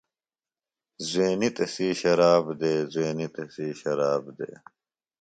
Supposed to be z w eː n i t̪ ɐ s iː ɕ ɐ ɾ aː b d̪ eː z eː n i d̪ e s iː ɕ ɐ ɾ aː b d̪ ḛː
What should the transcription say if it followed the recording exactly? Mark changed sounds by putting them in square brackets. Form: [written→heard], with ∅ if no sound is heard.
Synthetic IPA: z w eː n i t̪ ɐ s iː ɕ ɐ ɾ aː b d̪ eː z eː n i [d̪→t̪] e s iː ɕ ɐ ɾ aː b d̪ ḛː